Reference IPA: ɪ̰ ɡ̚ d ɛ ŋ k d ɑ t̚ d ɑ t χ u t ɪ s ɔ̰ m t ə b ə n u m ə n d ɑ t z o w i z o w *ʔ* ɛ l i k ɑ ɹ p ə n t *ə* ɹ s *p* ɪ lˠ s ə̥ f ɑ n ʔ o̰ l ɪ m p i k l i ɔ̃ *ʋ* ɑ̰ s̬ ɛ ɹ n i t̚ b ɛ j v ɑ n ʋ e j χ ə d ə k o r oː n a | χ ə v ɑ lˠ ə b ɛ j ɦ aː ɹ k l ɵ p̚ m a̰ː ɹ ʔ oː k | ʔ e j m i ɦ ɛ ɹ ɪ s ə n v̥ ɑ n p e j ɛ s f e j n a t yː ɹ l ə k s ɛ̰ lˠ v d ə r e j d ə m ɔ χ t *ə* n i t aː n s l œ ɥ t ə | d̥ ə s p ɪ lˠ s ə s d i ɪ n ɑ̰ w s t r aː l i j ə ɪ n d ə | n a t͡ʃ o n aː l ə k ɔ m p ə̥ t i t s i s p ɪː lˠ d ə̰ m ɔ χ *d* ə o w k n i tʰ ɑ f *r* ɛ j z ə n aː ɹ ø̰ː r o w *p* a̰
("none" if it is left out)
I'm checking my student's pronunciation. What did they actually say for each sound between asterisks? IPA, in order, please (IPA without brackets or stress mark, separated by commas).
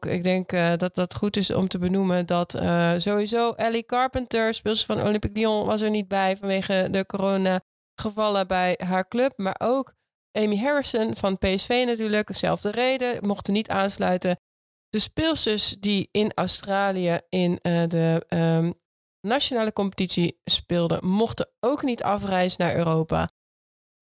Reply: ʔ, ə, p, ʋ, ə, t, r, p